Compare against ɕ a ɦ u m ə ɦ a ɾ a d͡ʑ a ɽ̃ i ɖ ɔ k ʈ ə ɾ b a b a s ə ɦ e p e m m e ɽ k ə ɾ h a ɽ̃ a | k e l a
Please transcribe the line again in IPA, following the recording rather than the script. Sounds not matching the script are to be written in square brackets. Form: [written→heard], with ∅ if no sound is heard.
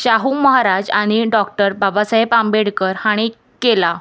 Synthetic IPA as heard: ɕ a ɦ u m ə ɦ a ɾ a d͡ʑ a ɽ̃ i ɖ ɔ k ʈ ə ɾ b a b a s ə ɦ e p [e→a] m [m→b] e ɽ k ə ɾ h a ɽ̃ [a→i] | k e l a